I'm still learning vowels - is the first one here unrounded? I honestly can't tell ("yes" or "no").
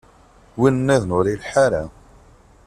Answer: yes